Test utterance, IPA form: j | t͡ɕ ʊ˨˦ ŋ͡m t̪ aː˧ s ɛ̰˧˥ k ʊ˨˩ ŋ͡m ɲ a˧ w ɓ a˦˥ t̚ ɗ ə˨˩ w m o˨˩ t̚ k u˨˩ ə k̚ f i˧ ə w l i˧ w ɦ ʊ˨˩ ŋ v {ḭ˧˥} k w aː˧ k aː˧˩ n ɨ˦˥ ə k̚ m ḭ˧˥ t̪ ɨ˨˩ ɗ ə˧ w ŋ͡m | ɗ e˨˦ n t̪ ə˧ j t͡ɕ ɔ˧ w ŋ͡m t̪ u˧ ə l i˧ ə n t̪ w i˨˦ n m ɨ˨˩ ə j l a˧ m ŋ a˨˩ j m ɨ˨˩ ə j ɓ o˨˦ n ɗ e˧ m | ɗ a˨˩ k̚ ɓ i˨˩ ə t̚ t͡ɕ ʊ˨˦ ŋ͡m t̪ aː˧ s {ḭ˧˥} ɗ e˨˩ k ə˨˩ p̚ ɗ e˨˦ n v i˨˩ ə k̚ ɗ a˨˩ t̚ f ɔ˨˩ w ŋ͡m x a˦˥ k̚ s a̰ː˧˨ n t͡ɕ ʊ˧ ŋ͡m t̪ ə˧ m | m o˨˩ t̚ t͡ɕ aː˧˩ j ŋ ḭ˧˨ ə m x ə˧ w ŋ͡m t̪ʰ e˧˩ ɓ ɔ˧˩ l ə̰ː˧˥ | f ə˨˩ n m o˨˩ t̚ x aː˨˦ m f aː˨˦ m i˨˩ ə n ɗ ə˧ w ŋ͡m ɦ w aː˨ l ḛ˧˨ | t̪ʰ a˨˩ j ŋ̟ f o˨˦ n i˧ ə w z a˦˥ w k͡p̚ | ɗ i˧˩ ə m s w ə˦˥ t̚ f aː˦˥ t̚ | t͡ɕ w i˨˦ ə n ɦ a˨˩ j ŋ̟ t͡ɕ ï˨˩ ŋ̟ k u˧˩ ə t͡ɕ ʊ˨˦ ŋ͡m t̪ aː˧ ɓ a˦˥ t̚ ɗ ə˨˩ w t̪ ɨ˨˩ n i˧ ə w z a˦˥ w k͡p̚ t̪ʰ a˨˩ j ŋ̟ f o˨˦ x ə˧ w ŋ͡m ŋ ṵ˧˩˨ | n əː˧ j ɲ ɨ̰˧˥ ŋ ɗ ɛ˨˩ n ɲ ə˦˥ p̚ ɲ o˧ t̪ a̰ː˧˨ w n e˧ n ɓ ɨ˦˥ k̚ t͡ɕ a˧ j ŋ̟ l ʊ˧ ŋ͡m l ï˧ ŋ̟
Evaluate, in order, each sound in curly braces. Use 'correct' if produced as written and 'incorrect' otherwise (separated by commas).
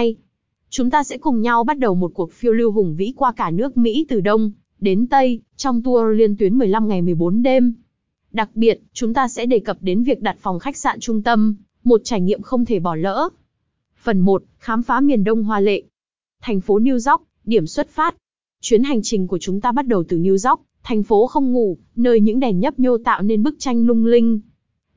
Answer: correct, incorrect